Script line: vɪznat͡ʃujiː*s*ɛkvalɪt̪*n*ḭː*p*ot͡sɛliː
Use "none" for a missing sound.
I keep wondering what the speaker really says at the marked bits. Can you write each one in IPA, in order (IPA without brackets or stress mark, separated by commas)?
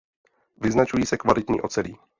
s, ɲ, ʔ